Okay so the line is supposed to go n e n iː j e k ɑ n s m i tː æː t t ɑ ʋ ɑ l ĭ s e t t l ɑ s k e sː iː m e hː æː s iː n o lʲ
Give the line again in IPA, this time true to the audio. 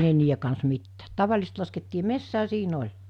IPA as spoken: n e n iː j e k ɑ n s m i tː æː t t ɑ ʋ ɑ l ĭ s e s t l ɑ s k e tː iː m e sː æː s iː n o lʲ